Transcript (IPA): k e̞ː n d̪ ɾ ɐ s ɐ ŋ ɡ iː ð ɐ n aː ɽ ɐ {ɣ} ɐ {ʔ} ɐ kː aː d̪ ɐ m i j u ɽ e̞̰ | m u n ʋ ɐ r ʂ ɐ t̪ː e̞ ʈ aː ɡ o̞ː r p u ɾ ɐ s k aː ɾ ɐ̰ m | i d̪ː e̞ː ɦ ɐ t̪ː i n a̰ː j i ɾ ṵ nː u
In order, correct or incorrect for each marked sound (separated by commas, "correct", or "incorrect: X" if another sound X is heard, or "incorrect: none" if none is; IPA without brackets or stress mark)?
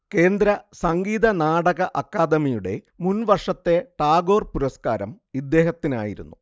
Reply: correct, correct